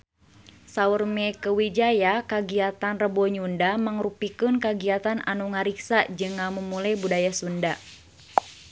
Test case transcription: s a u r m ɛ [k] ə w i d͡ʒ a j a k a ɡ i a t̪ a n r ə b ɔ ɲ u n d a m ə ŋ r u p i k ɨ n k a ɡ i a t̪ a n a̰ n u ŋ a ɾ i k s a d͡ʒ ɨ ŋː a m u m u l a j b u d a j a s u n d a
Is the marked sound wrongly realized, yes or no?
no